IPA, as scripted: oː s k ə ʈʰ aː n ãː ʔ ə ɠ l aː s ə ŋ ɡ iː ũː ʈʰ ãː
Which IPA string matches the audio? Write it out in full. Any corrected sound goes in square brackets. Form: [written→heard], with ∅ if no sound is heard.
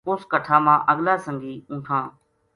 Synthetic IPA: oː s k ə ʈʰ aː [n→m] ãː ʔ ə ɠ l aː s ə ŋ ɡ iː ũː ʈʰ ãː